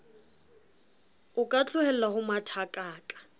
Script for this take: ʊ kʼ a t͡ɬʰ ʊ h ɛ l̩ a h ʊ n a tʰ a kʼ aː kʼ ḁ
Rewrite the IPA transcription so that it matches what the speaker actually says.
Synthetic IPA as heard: ʊ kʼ a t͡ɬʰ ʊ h ɛ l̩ a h ʊ m a tʰ a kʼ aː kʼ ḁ